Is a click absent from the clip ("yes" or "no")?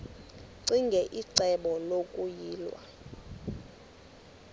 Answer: no